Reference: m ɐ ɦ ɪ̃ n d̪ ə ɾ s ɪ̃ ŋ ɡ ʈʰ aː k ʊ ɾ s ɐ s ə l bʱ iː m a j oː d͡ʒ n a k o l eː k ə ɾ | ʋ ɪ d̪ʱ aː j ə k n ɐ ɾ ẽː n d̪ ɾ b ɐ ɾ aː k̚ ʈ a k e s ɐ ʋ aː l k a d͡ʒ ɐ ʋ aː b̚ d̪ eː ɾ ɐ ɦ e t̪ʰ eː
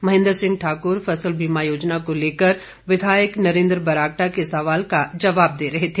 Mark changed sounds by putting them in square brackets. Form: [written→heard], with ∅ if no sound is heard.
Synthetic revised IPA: m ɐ ɦ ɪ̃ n d̪ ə ɾ s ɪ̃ ŋ ɡ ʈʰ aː k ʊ ɾ [s→f] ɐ s ə l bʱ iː m a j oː d͡ʒ n a k o l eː k ə ɾ | ʋ ɪ d̪ʱ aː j ə k n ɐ ɾ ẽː n d̪ ɾ b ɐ ɾ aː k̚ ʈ a k e s ɐ ʋ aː l k a d͡ʒ ɐ ʋ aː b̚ d̪ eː ɾ ɐ ɦ e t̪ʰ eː